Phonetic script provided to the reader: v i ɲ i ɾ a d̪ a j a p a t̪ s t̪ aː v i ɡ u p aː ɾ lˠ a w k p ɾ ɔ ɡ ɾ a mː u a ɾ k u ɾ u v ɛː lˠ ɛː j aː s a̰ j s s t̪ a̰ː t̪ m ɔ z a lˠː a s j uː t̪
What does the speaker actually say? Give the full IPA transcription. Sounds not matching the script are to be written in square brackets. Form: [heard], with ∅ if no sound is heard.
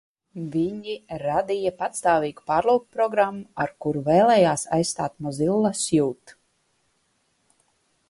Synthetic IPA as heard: v i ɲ i ɾ a d̪ [i] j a p a t̪ s t̪ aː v [iː] ɡ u p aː ɾ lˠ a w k p ɾ ɔ ɡ ɾ a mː u a ɾ k u ɾ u v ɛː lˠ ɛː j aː s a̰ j s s t̪ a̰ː t̪ m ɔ z [i] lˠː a s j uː t̪